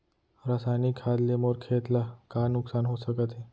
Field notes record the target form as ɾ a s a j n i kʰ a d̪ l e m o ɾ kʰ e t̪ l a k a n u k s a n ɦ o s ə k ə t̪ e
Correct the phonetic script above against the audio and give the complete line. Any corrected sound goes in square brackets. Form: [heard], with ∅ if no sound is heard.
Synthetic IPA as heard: ɾ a s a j n i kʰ a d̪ l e m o ɾ kʰ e t̪ l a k a n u k s a n ɦ o s ə k ə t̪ e